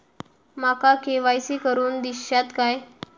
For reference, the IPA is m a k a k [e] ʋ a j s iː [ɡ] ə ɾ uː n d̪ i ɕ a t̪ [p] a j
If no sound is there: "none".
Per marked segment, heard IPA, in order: e, k, k

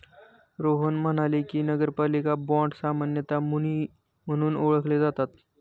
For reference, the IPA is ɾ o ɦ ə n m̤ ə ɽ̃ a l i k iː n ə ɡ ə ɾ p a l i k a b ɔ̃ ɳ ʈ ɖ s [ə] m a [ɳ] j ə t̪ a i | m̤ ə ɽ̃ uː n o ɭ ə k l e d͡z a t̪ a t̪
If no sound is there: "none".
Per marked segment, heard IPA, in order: a, n

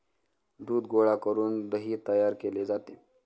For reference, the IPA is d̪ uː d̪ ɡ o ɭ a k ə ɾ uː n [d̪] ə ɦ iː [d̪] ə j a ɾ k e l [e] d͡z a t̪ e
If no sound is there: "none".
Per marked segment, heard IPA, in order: d̪, t̪, e

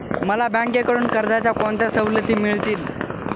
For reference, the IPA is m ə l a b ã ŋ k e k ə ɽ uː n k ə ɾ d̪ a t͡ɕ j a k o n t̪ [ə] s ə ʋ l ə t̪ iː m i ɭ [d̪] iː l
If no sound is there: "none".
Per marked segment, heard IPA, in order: a, t̪

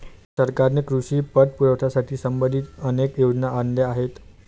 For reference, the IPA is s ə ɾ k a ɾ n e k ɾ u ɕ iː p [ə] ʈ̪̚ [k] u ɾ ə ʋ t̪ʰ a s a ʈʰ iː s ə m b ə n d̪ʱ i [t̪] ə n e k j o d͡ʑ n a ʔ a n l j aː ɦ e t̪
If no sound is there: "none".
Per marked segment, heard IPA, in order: ə, p, t̪

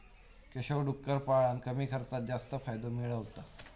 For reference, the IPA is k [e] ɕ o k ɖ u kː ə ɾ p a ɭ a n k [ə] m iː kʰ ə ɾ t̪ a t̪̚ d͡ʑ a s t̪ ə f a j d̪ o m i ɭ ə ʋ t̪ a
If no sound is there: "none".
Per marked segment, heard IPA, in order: e, ə

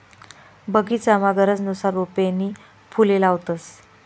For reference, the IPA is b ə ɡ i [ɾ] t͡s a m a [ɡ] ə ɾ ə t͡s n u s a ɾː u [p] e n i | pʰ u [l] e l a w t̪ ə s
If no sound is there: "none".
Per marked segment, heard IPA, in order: none, ɡ, p, l

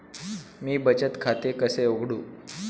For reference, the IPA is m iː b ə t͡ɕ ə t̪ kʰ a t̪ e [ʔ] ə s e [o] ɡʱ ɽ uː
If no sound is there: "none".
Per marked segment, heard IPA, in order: k, o

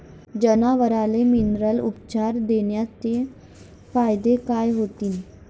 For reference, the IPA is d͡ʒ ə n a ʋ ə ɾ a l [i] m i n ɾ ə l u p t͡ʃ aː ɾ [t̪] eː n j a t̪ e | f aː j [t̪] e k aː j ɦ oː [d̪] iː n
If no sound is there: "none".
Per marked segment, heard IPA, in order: e, d̪, d̪, t̪

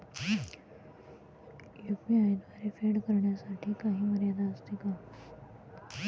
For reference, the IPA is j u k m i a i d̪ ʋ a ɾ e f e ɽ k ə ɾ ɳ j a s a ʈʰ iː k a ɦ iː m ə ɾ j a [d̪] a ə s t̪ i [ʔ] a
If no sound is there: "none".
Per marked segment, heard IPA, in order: d̪, k

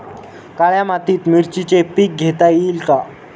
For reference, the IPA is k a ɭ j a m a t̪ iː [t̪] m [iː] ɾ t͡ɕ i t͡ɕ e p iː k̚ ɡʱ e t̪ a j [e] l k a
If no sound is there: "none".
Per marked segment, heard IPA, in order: t̪, i, i

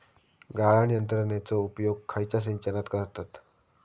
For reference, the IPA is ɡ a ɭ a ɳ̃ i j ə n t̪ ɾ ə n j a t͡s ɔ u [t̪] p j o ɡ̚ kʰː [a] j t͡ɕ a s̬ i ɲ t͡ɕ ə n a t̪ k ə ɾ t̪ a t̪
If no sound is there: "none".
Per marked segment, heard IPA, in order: none, a

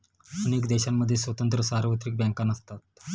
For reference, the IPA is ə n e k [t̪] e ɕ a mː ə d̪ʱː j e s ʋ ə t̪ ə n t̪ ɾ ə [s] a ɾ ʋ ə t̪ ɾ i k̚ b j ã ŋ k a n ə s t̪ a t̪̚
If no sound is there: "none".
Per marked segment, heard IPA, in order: d̪, s

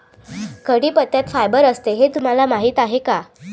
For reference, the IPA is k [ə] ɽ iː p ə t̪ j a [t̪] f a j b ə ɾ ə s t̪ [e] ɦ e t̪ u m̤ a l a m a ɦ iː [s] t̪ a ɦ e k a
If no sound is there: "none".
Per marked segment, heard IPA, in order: ə, t̪, e, none

